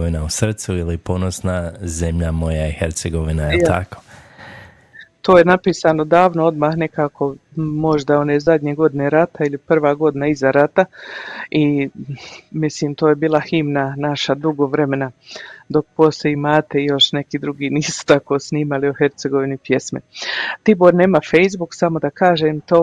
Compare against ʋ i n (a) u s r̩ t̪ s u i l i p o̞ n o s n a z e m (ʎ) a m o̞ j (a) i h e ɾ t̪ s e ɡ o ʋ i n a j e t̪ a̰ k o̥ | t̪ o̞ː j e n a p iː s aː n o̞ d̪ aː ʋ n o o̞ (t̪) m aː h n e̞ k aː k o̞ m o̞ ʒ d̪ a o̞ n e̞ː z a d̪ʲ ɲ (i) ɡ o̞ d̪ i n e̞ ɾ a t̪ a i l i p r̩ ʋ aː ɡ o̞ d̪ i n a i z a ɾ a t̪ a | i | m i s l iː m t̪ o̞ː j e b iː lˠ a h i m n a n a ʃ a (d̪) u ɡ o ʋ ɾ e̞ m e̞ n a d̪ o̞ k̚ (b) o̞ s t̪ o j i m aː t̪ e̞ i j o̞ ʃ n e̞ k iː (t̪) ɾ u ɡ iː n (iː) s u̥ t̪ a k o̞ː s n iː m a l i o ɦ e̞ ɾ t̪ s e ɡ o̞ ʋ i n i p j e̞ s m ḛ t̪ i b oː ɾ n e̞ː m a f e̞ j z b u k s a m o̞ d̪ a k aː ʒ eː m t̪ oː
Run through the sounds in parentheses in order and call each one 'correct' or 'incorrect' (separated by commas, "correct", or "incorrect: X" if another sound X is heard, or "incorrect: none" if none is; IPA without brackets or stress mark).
correct, correct, correct, incorrect: d̪, incorrect: e, correct, incorrect: p, incorrect: d̪, correct